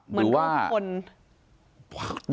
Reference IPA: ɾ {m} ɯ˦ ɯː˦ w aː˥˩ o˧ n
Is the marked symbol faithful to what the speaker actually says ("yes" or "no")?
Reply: yes